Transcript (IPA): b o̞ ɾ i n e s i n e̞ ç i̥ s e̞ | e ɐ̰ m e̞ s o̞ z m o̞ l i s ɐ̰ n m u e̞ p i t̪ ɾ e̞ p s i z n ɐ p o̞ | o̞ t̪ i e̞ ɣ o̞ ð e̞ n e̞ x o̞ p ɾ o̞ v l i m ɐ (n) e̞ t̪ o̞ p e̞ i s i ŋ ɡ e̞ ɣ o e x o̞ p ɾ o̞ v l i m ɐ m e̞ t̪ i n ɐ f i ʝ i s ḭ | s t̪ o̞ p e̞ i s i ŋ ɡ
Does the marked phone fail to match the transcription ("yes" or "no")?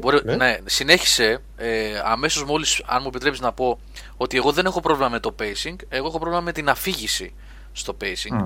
yes